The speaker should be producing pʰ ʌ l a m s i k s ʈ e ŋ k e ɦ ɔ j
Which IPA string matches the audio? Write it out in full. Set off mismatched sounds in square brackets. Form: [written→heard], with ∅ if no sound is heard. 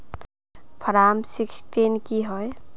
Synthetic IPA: pʰ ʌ [l→ɾ] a m s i k s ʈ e [ŋ→n] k [e→i] ɦ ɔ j